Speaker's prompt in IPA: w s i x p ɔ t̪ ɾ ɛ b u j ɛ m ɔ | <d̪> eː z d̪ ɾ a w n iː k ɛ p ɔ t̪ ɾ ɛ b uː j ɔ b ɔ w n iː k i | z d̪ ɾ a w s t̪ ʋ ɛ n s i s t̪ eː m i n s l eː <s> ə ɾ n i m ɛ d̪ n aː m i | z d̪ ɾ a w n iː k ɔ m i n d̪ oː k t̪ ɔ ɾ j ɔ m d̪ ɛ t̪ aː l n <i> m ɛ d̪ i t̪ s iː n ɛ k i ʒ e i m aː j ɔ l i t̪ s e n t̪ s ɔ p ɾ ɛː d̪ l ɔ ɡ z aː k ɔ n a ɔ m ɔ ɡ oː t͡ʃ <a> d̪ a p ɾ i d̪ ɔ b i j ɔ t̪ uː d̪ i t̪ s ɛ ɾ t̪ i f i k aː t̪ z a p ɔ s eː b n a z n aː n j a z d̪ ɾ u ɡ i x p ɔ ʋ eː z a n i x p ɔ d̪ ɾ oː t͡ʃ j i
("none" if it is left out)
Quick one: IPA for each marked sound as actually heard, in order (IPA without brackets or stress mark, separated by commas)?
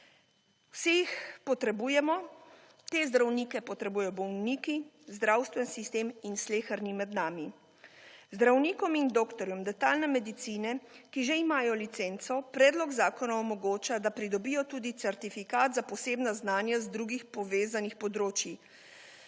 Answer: t̪, x, ɛ, a